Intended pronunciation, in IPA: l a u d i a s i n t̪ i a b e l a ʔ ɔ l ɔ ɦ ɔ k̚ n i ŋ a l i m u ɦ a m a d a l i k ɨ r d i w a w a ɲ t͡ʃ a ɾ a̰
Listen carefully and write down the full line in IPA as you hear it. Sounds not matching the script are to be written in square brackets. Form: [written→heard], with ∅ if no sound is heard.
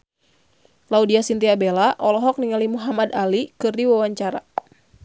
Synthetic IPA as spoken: l a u d i a s i n t̪ i a b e l a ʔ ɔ l ɔ ɦ ɔ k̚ n i ŋ a l i m u ɦ a m a d a l i k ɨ r d i w a w a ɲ t͡ʃ a ɾ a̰